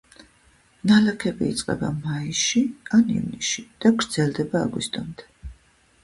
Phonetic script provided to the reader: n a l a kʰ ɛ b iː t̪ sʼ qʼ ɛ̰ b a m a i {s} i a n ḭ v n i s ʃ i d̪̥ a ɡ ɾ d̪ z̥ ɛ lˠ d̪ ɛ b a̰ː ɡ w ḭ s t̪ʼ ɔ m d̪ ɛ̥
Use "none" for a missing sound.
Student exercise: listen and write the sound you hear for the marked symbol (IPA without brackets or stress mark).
ʃ